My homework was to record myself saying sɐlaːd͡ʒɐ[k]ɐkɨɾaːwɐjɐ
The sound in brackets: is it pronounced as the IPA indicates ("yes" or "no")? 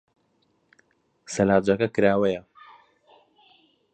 yes